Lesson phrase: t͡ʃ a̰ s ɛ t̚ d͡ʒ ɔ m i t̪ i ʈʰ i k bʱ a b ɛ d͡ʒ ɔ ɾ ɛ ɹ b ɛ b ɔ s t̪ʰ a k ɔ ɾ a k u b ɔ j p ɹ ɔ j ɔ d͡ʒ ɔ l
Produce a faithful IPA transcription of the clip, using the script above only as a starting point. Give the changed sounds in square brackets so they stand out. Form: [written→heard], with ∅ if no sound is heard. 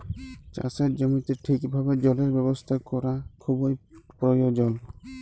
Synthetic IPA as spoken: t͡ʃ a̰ s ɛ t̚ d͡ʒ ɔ m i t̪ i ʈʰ i k bʱ a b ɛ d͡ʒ ɔ [ɾ→l] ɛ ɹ b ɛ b ɔ s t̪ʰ a k ɔ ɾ a [k→kʰ] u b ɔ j p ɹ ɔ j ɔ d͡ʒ ɔ l